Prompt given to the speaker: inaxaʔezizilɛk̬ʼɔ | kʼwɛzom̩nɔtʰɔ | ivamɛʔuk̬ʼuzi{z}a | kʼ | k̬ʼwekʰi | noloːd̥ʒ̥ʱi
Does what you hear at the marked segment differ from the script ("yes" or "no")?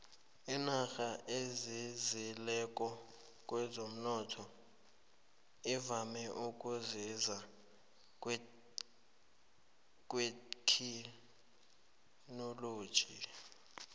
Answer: no